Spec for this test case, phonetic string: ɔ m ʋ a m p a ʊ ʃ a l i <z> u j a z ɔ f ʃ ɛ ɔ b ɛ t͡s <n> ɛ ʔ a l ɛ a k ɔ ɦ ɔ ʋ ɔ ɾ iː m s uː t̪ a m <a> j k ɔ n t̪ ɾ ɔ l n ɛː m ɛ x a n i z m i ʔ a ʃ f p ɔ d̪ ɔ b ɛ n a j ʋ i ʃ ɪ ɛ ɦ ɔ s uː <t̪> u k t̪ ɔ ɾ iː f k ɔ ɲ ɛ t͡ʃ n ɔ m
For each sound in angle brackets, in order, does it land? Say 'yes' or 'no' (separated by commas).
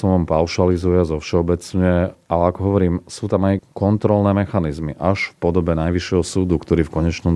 yes, no, yes, no